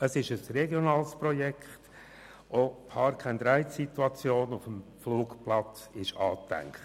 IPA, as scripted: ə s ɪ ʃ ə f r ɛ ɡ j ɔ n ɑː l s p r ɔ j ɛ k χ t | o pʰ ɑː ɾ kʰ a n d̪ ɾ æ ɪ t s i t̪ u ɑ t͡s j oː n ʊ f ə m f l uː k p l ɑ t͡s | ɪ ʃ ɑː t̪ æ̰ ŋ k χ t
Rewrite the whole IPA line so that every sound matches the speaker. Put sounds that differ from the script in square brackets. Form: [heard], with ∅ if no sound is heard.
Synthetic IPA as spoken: ə s ɪ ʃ ə [s] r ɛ ɡ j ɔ n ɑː l s p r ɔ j ɛ k χ t | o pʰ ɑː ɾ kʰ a n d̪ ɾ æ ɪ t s i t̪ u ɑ t͡s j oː n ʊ f ə m f l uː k p l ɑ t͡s | ɪ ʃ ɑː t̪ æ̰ ŋ k χ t